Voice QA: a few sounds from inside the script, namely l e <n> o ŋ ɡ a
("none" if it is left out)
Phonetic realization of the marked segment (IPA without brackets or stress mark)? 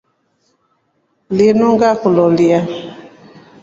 n